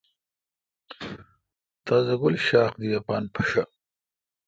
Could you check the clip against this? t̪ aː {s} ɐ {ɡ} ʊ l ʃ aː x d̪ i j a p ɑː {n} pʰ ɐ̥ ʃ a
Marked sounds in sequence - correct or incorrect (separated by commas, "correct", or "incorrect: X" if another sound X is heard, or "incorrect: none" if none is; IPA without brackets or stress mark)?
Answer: incorrect: z, correct, correct